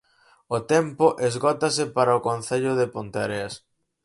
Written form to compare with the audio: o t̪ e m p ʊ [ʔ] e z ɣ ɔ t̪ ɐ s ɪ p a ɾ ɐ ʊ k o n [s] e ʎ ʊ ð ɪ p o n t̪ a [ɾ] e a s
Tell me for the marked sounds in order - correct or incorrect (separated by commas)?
correct, incorrect, correct